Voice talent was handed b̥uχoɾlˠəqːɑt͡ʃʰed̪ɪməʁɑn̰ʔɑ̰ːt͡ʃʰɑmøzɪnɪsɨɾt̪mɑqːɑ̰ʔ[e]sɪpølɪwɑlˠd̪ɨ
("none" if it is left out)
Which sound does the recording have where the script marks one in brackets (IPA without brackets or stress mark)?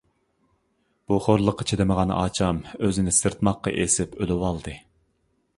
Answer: e